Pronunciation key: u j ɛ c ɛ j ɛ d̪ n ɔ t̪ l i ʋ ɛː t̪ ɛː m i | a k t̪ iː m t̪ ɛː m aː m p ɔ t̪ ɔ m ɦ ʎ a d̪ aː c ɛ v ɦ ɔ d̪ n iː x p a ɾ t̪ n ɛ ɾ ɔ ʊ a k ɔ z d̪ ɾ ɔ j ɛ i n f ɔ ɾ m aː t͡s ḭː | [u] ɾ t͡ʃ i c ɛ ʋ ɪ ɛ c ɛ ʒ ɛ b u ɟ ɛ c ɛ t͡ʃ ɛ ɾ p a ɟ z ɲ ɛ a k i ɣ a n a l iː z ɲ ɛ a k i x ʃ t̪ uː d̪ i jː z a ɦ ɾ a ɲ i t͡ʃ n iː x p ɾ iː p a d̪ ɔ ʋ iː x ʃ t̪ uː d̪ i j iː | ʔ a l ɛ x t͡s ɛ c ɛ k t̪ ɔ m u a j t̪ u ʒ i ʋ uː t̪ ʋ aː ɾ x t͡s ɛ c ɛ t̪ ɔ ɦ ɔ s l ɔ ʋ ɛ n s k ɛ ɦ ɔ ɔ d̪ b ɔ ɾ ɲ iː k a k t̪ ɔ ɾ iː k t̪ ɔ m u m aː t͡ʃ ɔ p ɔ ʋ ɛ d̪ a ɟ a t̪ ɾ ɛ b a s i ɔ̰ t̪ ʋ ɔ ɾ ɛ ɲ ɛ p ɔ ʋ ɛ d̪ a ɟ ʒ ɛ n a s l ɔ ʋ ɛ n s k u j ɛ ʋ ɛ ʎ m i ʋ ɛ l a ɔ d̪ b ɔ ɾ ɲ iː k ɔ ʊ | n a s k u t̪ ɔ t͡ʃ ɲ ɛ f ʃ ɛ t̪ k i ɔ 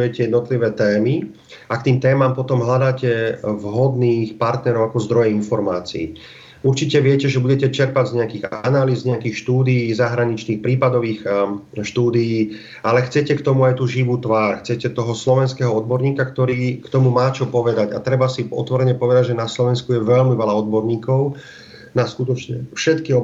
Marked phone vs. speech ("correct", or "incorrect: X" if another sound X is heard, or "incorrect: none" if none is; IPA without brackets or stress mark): correct